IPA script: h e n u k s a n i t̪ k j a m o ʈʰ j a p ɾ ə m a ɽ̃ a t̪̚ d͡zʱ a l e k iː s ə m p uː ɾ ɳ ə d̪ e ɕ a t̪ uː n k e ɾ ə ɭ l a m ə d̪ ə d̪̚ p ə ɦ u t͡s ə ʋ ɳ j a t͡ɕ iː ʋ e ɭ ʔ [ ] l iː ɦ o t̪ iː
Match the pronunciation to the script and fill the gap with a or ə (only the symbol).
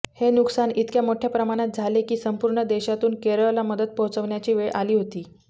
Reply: a